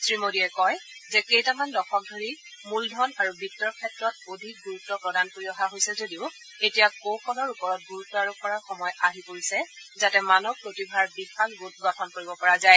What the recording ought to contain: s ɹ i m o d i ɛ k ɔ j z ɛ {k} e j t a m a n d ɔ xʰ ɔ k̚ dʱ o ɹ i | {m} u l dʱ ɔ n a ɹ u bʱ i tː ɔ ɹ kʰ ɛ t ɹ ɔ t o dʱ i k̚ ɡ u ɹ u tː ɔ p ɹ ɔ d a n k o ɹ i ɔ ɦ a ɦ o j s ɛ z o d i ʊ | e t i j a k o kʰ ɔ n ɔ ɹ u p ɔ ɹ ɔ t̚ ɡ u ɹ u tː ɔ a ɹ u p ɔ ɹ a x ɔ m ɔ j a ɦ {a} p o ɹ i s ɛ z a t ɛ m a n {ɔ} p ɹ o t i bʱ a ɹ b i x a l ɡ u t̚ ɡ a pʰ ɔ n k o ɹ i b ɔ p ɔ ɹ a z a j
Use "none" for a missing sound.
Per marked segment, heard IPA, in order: k, m, i, ɔ

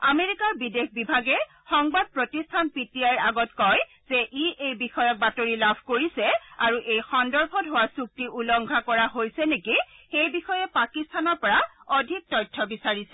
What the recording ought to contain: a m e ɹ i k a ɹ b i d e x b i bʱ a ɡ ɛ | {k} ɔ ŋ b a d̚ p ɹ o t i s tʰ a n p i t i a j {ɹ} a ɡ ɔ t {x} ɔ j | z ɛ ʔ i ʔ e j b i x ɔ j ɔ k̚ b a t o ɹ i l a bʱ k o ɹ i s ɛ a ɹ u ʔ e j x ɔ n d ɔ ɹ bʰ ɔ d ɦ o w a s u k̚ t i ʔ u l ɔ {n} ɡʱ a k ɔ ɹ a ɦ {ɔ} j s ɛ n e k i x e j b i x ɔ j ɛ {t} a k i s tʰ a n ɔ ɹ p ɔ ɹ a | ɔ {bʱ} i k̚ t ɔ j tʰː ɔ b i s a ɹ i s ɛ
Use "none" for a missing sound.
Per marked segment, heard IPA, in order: x, ɹ, k, ŋ, o, p, dʱ

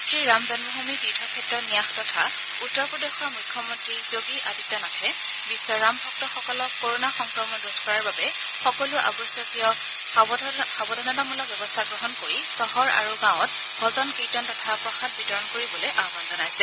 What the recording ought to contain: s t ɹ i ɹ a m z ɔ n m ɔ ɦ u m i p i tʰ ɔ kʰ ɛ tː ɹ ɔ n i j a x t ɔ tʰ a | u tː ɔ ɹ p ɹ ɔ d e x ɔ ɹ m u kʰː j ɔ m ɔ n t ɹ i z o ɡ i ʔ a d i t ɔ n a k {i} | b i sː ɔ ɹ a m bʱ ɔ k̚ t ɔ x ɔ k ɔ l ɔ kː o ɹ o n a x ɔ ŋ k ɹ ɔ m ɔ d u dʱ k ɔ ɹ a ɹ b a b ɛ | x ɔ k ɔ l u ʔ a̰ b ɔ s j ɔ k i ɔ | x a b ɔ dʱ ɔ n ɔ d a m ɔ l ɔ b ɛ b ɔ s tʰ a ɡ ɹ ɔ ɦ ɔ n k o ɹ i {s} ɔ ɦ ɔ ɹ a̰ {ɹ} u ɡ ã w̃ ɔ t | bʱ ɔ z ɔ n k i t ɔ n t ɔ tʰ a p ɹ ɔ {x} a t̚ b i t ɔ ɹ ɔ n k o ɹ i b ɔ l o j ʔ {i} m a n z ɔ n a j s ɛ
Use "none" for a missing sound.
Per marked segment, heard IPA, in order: ɛ, s, ɹ, x, a

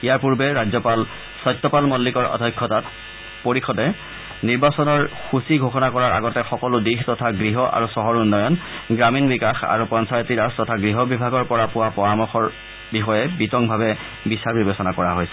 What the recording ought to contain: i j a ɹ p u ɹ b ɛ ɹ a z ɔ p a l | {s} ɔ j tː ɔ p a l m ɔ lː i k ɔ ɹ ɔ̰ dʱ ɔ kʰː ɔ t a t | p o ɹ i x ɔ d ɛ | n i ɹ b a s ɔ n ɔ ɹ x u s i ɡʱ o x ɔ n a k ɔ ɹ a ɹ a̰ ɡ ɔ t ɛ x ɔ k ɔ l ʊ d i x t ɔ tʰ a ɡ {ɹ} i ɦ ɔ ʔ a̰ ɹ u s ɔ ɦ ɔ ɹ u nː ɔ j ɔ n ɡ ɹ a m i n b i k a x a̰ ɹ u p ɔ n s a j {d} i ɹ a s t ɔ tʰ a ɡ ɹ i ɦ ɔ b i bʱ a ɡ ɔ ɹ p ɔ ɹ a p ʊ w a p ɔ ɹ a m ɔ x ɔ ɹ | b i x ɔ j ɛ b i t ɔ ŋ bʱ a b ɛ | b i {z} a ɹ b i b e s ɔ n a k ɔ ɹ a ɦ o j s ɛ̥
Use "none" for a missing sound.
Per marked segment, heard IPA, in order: s, ɹ, t, s

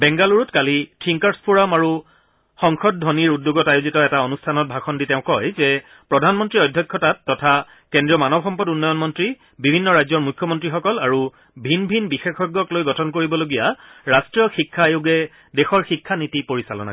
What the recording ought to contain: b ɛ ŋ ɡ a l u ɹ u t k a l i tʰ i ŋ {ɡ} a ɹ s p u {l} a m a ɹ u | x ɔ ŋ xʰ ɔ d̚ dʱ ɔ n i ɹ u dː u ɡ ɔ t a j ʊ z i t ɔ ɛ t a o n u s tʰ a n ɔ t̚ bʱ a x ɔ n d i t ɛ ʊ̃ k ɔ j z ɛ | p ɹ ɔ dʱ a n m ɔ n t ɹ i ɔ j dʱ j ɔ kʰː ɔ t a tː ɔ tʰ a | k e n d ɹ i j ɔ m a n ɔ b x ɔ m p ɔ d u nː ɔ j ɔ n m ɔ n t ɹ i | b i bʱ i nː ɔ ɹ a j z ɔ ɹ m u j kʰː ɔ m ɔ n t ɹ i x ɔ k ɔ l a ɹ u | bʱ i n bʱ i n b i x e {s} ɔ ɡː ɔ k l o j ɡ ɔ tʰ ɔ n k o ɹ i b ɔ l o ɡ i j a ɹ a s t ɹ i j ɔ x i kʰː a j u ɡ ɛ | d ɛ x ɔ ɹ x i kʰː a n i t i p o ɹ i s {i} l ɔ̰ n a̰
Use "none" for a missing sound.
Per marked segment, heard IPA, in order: k, ɹ, x, a

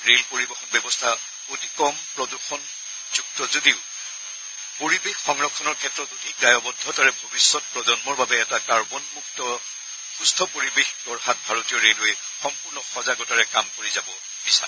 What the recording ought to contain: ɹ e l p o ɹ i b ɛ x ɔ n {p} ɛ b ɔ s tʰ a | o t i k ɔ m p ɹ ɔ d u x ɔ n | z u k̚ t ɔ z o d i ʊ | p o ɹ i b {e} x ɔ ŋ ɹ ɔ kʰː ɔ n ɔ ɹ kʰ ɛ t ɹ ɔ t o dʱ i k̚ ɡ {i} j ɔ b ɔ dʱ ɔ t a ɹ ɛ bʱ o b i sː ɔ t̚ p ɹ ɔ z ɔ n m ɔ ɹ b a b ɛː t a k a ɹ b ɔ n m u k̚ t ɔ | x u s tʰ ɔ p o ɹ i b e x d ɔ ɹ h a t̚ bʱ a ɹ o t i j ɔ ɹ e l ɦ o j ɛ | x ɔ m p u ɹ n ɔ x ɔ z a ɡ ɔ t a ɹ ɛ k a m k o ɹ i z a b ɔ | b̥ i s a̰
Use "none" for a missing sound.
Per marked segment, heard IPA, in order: b, e, a

